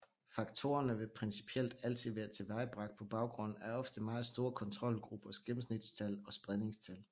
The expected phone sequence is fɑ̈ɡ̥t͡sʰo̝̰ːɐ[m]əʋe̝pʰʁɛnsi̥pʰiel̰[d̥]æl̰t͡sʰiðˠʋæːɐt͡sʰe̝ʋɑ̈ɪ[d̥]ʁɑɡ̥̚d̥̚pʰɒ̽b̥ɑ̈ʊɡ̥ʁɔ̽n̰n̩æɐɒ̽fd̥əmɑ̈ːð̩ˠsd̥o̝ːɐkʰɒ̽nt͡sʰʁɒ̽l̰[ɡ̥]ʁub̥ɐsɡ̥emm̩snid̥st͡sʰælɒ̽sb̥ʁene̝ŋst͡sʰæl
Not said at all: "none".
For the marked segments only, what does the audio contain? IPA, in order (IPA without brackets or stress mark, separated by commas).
n, d̥, b̥, ɡ̥